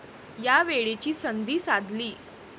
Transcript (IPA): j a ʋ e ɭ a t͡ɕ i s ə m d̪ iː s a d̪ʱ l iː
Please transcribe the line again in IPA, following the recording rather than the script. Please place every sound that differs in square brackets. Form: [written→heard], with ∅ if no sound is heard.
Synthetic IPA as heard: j a ʋ e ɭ [a→e] t͡ɕ [i→iː] s ə [m→n] d̪ iː s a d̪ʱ l iː